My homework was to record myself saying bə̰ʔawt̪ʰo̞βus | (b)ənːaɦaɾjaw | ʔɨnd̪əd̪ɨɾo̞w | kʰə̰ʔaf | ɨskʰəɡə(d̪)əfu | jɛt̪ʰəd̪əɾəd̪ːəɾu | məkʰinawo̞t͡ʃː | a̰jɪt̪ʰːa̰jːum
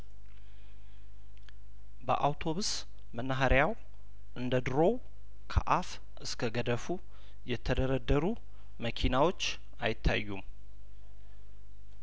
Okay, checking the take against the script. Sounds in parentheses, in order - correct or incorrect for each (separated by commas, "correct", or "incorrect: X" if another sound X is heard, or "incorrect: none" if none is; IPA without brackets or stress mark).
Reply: incorrect: m, correct